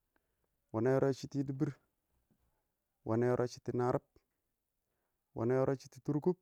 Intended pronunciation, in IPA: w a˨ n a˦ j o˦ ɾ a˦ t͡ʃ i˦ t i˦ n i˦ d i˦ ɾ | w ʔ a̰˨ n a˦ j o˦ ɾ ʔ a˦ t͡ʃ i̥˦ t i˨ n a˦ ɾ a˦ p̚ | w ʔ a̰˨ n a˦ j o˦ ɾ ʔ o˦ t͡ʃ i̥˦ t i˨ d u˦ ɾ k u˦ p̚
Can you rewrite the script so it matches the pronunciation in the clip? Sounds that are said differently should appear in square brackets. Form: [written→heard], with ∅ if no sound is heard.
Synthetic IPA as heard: w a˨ n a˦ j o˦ ɾ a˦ t͡ʃ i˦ t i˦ [n→d] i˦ [d→b] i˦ ɾ | w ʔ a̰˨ n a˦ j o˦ ɾ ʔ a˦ t͡ʃ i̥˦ t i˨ n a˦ ɾ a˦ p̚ | w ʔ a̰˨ n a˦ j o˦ ɾ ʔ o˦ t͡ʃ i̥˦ t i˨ [d→t] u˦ ɾ k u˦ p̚